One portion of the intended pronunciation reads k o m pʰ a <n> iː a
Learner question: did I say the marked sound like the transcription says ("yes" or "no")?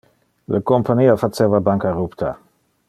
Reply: yes